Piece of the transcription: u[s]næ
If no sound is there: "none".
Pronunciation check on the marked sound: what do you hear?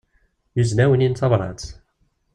z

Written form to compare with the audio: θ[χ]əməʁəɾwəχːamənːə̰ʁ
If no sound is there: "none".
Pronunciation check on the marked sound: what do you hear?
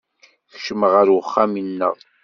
ʃ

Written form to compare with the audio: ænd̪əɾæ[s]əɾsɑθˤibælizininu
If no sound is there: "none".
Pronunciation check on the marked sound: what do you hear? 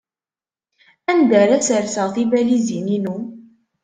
s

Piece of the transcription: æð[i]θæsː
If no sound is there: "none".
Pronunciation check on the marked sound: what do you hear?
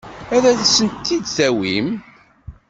æ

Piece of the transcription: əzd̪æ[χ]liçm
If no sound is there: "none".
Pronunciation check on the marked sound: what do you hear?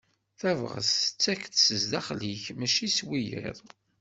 χ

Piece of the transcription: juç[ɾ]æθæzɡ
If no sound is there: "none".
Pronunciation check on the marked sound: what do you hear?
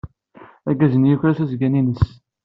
ɾ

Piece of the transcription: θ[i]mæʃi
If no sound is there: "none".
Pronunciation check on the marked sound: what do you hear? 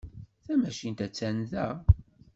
æ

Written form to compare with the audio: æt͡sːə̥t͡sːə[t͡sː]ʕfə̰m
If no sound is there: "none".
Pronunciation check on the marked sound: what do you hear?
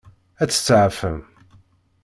none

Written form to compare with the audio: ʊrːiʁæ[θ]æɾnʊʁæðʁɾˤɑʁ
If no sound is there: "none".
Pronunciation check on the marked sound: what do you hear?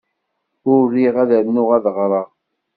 ð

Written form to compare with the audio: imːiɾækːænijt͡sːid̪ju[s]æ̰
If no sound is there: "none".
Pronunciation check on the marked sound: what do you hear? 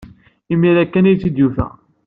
f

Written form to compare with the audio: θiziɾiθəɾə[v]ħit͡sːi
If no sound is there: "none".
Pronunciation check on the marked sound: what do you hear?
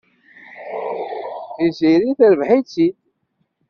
v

